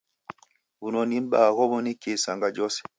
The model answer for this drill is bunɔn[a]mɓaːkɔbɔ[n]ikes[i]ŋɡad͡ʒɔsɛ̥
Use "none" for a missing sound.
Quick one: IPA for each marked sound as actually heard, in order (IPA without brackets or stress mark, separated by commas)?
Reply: i, n, a